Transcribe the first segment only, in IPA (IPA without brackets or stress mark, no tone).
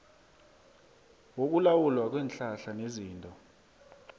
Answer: w